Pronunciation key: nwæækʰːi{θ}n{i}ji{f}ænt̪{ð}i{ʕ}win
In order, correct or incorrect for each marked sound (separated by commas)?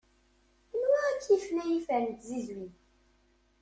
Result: incorrect, incorrect, correct, incorrect, incorrect